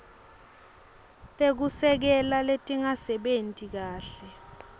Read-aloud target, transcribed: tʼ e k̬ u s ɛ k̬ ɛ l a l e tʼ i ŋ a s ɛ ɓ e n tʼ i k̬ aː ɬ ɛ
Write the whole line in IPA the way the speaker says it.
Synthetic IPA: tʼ e k̬ u s ɛ k̬ ɛ l a l e tʼ i ŋ a s ɛ ɓ e n tʼ i k̬ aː ɬ ɛ